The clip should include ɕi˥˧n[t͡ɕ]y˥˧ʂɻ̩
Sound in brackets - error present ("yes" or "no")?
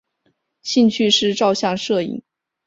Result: yes